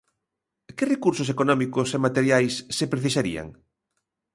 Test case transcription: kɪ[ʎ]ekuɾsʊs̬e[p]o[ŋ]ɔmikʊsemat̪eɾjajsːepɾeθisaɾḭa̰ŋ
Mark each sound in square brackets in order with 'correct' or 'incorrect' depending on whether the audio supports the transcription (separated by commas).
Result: incorrect, incorrect, incorrect